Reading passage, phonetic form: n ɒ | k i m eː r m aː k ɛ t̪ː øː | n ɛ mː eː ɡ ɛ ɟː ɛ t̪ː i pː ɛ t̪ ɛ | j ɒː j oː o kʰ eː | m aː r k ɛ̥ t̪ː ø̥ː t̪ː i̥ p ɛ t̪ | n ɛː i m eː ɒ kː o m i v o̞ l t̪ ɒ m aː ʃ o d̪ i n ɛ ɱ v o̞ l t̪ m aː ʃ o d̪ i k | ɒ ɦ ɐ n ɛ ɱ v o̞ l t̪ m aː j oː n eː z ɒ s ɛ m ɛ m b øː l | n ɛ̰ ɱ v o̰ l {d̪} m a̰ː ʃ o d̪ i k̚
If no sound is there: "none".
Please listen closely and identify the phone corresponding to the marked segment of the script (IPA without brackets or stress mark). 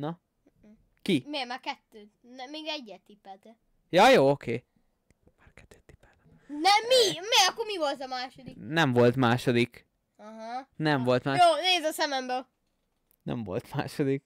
t̪